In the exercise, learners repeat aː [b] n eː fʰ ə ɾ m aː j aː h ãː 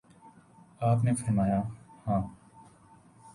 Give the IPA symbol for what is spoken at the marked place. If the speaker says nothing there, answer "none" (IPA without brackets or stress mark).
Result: p